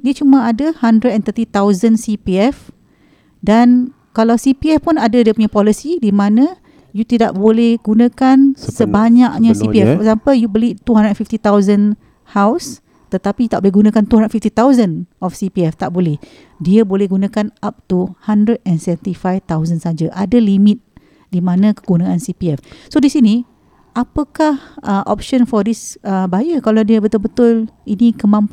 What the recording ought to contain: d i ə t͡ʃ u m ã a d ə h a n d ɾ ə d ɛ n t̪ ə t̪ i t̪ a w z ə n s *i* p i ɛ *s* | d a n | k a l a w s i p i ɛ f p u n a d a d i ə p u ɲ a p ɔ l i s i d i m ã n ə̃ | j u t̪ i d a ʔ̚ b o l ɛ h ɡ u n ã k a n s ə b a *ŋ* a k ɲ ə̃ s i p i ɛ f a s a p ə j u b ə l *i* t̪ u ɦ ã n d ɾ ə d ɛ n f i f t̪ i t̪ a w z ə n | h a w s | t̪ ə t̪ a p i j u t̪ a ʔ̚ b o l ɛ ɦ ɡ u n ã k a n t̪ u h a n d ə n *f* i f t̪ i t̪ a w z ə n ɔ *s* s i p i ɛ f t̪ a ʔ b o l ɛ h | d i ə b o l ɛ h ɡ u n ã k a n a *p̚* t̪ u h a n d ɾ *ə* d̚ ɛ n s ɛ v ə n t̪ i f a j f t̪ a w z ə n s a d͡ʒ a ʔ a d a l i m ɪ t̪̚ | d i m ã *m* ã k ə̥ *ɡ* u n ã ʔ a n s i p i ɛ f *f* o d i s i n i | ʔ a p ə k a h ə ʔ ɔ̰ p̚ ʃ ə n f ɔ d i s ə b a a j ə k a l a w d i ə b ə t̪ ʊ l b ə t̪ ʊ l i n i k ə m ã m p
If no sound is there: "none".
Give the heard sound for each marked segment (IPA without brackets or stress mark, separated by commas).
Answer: i, f, ɲ, i, f, f, p̚, ə, n, ɡ, s